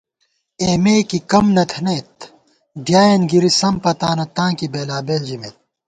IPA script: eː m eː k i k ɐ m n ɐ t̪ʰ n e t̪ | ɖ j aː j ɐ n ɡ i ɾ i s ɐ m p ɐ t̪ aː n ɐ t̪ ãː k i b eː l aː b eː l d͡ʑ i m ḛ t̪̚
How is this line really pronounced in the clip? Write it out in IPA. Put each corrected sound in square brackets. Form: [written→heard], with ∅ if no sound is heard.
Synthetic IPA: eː m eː k i k ɐ m n ɐ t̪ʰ n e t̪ | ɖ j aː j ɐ n ɡ i ɾ i s ɐ m p ɐ t̪ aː n ɐ t̪ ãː k i b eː l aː b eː l d͡ʑ i m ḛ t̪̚